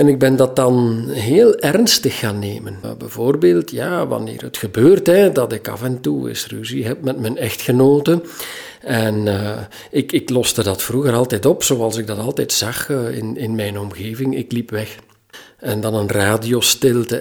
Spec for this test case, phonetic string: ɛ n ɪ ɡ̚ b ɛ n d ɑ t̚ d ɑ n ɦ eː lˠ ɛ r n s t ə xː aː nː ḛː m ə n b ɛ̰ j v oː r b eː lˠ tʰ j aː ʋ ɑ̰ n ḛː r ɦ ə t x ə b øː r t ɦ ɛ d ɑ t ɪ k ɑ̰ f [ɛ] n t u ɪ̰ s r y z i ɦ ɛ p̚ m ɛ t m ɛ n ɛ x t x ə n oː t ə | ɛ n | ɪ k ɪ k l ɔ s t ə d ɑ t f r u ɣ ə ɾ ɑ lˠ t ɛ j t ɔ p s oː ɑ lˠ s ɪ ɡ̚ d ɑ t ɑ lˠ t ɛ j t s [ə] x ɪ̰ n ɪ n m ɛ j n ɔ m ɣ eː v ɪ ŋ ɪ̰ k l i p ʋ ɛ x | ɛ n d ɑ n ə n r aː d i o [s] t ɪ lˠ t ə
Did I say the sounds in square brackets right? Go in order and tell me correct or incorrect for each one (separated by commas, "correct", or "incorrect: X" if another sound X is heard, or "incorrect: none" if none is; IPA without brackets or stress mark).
correct, incorrect: ɑ, correct